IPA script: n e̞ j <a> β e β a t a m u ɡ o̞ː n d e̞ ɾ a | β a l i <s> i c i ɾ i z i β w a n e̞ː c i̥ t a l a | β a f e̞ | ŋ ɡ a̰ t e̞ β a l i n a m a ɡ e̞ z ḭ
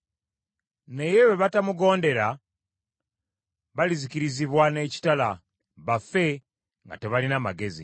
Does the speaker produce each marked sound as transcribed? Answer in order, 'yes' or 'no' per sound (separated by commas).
no, no